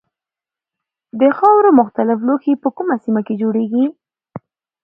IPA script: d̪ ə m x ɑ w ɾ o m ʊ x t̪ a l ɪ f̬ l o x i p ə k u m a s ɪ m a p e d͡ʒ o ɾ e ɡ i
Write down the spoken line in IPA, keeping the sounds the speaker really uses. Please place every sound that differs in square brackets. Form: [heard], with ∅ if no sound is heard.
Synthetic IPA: d̪ ə [∅] x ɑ w ɾ o m ʊ x t̪ a l ɪ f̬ l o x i p ə k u m a s [i] m a [k] e d͡ʒ o [ɽ] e ɡ i